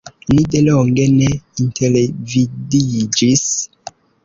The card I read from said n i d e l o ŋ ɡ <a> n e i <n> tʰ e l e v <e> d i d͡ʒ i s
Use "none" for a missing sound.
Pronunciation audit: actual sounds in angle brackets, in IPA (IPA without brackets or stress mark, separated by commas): e, n, i